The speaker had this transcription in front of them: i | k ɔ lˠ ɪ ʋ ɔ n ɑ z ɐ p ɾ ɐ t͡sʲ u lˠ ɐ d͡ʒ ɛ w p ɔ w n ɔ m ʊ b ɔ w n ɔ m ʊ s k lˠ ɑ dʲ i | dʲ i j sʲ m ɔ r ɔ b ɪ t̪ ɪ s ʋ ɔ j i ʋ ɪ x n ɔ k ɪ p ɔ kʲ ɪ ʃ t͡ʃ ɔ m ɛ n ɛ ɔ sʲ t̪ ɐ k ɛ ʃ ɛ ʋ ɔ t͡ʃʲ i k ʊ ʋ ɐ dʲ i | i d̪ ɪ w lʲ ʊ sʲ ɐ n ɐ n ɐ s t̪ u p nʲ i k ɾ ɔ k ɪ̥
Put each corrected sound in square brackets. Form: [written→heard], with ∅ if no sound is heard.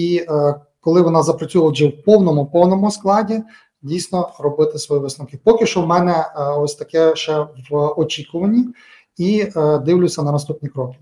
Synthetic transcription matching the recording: i | k ɔ lˠ ɪ ʋ ɔ n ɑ z ɐ p ɾ ɐ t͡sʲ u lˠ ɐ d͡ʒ ɛ w p ɔ w n ɔ m ʊ [b→p] ɔ w n ɔ m ʊ s k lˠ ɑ dʲ i | dʲ i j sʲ [m→n] ɔ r ɔ b ɪ t̪ ɪ s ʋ ɔ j i ʋ ɪ [x→s] n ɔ k ɪ p ɔ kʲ ɪ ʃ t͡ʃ ɔ m ɛ n ɛ ɔ sʲ t̪ ɐ k ɛ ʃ ɛ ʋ ɔ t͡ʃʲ i k ʊ ʋ ɐ [dʲ→nʲ] i | i d̪ ɪ w lʲ ʊ sʲ ɐ n ɐ n ɐ s t̪ u p nʲ i k ɾ ɔ k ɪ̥